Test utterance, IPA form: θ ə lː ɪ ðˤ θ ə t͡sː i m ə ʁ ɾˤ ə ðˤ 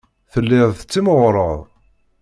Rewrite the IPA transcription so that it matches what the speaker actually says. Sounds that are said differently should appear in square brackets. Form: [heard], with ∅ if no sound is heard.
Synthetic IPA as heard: θ ə lː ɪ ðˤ θ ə t͡sː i m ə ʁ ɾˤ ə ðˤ